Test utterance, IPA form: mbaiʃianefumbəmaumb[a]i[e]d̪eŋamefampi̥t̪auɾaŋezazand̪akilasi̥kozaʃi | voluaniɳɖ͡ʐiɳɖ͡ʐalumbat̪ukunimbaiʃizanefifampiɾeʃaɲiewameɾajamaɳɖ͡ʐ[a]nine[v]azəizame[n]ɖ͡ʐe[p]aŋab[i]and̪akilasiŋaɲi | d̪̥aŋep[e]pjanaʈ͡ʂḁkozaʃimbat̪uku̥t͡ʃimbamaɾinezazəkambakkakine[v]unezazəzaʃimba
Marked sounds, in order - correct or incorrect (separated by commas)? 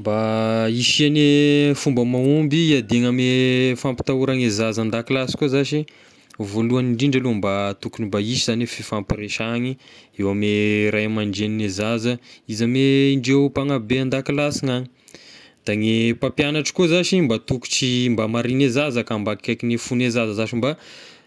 incorrect, incorrect, incorrect, incorrect, incorrect, correct, incorrect, incorrect, incorrect